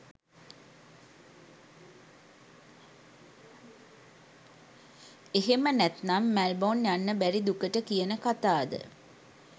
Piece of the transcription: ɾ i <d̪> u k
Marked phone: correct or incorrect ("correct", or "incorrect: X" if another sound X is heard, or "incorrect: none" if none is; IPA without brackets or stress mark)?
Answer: correct